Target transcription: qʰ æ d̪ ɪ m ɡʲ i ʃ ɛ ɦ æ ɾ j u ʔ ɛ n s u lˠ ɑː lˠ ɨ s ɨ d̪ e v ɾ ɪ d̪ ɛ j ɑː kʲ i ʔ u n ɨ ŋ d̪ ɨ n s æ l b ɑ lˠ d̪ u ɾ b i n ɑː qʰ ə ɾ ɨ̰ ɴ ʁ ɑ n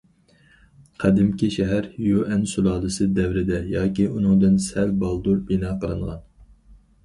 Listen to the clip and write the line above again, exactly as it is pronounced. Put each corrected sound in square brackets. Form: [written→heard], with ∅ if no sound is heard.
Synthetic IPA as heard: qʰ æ d̪ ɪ m [ɡʲ→kʲ] i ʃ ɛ ɦ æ ɾ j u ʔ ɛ n s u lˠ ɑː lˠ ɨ s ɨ d̪ [e→ɛ] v ɾ ɪ d̪ ɛ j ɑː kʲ i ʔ u n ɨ ŋ d̪ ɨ n s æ l b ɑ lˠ d̪ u ɾ b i n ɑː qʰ ə ɾ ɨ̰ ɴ ʁ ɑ n